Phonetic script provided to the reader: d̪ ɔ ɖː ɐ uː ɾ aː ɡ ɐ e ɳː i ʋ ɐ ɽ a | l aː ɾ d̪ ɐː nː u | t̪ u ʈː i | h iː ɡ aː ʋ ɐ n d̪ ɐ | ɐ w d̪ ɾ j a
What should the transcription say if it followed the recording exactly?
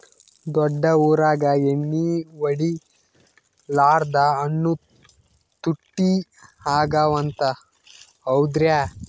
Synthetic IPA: d̪ ɔ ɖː ɐ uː ɾ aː ɡ ɐ e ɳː i ʋ ɐ ɽ i | l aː ɾ d̪ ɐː nː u | t̪ u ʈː i | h aː ɡ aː ʋ ɐ n t̪ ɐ | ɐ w d̪ ɾ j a